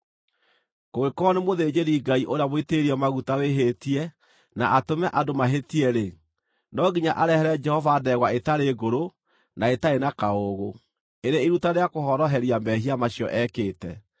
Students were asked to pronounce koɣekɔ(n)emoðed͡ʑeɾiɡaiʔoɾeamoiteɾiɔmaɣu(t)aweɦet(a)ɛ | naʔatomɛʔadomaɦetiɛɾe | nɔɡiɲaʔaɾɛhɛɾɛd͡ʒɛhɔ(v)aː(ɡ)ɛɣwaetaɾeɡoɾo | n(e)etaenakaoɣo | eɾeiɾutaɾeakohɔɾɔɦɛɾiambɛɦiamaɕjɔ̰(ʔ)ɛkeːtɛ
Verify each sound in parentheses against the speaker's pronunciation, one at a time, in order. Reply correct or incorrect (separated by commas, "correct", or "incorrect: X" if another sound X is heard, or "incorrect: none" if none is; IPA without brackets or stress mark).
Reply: correct, correct, incorrect: i, correct, incorrect: d, incorrect: a, correct